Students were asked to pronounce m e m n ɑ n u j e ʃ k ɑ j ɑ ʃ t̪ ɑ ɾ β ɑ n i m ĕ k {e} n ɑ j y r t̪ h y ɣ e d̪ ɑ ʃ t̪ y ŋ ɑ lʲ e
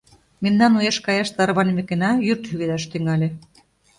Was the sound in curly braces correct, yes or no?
yes